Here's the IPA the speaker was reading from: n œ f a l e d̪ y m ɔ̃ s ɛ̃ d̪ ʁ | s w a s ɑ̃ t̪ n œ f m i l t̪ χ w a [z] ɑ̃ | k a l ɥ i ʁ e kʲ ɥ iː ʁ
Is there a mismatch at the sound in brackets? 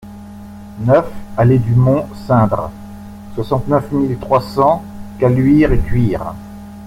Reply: yes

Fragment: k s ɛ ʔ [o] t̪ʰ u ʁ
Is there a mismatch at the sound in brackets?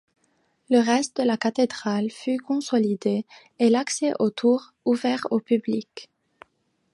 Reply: no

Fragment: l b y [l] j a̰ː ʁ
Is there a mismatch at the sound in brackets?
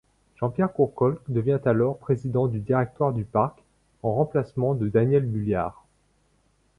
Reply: no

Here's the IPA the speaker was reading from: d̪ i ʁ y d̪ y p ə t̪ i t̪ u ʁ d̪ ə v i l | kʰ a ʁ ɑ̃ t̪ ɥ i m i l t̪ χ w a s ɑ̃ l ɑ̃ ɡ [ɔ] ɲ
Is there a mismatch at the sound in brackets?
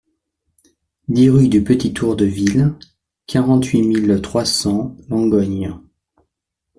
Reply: no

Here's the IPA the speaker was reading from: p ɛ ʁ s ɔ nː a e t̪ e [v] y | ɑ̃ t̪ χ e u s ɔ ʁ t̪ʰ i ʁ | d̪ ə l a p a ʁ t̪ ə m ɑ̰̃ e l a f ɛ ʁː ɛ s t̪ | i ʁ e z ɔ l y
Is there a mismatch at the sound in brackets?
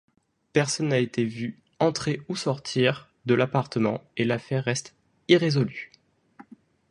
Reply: no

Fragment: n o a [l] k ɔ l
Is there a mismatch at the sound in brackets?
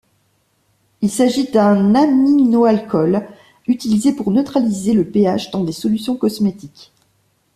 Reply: no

